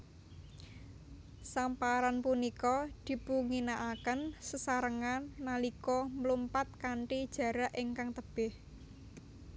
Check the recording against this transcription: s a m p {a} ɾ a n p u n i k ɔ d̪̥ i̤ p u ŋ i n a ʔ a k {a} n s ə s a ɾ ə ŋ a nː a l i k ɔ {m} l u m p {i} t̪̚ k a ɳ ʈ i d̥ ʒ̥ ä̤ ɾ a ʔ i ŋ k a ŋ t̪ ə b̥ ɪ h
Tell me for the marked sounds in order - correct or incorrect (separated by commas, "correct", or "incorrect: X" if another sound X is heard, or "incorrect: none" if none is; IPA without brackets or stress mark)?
correct, incorrect: ə, correct, incorrect: a